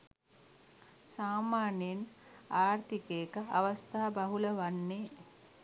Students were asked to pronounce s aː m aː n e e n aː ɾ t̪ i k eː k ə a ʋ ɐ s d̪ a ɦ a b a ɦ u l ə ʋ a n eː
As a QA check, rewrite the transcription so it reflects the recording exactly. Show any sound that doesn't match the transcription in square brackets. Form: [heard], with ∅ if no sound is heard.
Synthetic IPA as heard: s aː m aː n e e n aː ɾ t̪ i k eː k ə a ʋ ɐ s [t̪] a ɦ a b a ɦ u l ə ʋ a [nː] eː